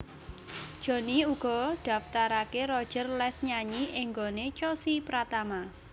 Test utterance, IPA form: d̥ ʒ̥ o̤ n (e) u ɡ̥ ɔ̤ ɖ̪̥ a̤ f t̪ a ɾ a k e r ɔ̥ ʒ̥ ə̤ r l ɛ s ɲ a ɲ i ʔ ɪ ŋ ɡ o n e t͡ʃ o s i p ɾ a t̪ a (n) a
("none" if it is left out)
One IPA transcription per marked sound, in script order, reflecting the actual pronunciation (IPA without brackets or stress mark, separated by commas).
i, m